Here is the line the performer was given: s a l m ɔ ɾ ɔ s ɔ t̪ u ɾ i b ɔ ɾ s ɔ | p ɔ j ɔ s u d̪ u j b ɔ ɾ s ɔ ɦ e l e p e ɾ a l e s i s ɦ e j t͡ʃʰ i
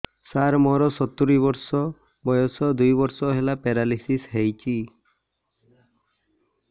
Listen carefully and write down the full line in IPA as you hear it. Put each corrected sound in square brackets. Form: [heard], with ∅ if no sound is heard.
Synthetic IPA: s a [ɾ] m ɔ ɾ ɔ s ɔ t̪ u ɾ i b ɔ ɾ s ɔ | [b] ɔ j ɔ s [ɔ] d̪ u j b ɔ ɾ s ɔ ɦ e l [a] p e ɾ a l [i] s i s ɦ e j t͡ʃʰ i